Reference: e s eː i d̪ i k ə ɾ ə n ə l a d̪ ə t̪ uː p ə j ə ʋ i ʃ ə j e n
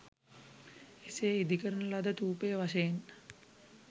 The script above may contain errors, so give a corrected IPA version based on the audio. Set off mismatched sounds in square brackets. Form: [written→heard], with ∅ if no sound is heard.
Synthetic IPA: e s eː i d̪ i k ə ɾ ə n ə l a d̪ ə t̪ uː p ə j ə ʋ [i→a] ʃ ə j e n